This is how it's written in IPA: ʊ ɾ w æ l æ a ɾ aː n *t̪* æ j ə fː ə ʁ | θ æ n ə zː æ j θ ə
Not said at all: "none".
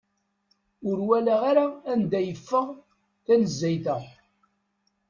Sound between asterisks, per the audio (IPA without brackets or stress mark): d̪